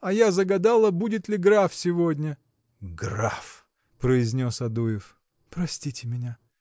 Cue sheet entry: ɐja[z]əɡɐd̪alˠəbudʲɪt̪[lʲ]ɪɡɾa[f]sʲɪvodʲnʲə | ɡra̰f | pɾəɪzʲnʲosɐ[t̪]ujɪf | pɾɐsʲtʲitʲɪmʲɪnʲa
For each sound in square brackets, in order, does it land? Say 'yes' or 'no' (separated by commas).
yes, yes, yes, no